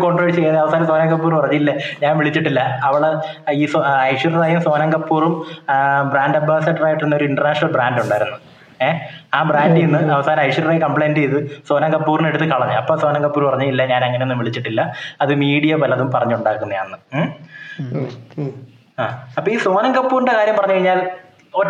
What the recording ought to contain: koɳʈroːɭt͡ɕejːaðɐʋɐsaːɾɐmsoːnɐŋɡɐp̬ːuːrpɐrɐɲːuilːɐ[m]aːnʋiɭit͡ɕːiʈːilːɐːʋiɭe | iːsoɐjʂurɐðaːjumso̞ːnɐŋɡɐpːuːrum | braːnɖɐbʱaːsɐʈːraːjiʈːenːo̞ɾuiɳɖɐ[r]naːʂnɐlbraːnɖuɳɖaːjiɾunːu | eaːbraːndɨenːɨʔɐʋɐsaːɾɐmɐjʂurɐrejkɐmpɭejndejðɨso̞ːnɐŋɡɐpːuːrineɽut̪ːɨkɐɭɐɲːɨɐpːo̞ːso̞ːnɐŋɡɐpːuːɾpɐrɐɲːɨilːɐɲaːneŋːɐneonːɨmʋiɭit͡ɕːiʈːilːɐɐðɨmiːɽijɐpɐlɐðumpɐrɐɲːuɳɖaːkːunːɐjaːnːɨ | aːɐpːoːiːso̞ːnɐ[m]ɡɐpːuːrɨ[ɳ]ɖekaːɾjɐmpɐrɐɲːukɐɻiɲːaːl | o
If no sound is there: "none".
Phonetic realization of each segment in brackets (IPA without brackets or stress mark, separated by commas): ɲ, r, ŋ, ɳ